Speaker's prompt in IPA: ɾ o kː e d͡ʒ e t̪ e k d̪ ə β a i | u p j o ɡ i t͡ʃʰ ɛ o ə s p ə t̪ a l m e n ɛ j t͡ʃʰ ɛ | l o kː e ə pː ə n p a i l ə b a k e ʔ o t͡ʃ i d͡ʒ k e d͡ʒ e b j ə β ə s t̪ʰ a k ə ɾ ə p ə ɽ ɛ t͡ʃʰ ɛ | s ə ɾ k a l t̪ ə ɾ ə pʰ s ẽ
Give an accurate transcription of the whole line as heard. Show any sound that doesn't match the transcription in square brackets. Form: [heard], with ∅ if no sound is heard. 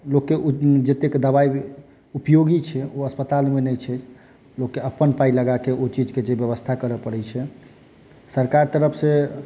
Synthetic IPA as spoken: [l] o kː e d͡ʒ e t̪ e k d̪ ə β a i | u p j o ɡ i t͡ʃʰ ɛ o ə s p ə t̪ a l m e n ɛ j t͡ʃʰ ɛ | l o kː e ə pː ə n p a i l ə [ɡ] a k e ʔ o t͡ʃ i d͡ʒ k e d͡ʒ e b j ə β ə s t̪ʰ a k ə ɾ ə p ə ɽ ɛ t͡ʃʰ ɛ | s ə ɾ k a [ɾ] t̪ ə ɾ ə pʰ s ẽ